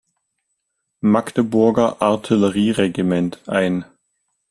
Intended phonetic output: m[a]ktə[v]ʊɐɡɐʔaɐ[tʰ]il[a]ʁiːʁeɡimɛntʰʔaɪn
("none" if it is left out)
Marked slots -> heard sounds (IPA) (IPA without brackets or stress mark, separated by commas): a, b, tʰ, ə